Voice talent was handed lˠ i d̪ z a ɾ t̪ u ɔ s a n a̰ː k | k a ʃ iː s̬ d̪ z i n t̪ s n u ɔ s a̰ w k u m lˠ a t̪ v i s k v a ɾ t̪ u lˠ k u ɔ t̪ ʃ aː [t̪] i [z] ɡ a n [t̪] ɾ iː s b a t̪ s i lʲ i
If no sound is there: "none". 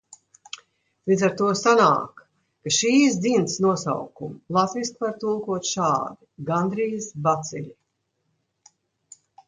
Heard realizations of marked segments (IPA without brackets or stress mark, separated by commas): d̪, none, d̪